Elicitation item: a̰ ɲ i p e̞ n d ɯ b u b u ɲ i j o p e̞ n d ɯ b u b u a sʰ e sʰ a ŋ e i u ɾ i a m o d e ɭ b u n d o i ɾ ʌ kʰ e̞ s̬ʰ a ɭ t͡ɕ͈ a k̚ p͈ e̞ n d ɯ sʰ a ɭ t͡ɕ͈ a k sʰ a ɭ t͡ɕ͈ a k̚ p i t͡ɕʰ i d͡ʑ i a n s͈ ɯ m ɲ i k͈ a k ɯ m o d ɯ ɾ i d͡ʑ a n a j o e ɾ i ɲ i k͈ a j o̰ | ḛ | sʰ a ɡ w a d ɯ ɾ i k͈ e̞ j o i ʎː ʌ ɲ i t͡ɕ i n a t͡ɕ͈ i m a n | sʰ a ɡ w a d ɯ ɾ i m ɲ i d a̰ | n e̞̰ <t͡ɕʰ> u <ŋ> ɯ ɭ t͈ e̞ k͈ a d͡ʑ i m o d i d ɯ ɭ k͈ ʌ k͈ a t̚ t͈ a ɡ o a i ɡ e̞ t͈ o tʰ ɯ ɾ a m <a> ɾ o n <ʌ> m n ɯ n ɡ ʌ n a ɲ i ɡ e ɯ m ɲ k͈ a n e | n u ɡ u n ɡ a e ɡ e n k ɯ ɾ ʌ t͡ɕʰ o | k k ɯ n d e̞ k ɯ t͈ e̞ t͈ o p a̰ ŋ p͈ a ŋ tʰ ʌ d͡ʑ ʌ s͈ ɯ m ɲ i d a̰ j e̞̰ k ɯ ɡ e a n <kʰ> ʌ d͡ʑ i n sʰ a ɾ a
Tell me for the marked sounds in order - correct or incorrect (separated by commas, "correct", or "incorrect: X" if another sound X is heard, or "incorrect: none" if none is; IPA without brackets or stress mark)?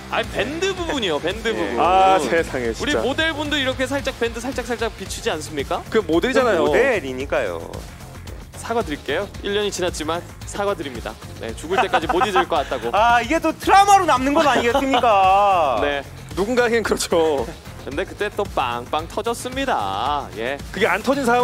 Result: incorrect: t͡ɕ, incorrect: ɡ, correct, incorrect: a, incorrect: tʰ